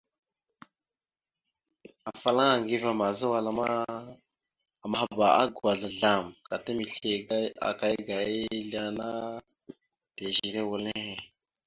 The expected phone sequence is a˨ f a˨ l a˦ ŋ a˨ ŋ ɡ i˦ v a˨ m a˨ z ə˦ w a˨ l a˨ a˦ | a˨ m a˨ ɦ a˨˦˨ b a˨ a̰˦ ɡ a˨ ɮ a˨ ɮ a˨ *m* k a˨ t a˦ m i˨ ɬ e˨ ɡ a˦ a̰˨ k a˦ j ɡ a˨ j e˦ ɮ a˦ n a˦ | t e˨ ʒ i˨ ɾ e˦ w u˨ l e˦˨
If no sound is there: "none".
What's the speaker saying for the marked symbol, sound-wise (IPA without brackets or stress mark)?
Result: m